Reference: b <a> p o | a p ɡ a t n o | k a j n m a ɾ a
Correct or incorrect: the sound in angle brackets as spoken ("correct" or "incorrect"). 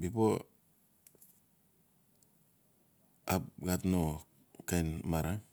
incorrect